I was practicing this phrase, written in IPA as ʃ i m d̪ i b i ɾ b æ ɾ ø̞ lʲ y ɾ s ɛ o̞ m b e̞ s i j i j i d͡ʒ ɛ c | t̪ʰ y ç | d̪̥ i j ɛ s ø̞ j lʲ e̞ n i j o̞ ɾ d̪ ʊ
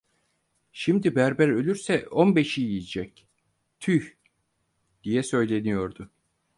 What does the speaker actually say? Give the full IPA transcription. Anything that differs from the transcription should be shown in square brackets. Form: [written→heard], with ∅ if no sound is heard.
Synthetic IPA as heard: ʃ i m d̪ i b [i→æ] ɾ b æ ɾ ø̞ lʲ y ɾ s ɛ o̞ [m→n] b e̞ [s→ʃ] i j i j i d͡ʒ ɛ c | t̪ʰ y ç | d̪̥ i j ɛ s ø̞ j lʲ e̞ n i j o̞ ɾ d̪ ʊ